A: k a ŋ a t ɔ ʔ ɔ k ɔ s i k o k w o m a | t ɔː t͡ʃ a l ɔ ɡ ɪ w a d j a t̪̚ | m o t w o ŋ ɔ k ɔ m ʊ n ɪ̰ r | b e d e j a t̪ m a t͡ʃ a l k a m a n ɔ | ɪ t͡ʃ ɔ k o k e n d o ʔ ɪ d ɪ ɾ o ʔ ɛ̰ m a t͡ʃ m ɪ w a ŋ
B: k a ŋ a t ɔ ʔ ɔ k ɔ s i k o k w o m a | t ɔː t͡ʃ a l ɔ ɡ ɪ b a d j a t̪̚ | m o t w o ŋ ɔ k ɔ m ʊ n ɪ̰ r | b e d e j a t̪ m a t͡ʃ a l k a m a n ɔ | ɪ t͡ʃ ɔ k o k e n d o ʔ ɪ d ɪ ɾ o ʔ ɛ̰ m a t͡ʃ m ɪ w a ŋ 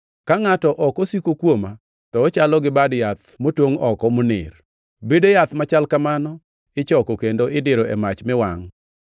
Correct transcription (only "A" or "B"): B